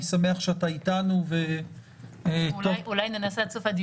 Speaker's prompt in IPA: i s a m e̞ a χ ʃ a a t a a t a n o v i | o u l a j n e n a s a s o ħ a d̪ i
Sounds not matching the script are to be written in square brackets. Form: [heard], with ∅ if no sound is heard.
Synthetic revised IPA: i s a m e̞ a χ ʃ [e] a t a [i] t a n [u] v [e] | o u l a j n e n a s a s o [f] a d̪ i